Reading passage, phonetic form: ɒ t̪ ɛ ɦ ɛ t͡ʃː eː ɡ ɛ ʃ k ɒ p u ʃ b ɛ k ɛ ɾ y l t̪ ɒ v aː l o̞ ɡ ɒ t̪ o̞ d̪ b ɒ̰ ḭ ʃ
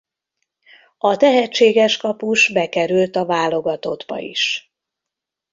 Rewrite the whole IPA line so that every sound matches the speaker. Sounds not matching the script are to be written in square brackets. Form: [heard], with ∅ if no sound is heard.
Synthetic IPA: ɒ t̪ ɛ ɦ ɛ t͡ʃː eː ɡ ɛ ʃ k ɒ p u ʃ b ɛ k ɛ ɾ y l t̪ ɒ v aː l o̞ ɡ ɒ t̪ o̞ d̪ b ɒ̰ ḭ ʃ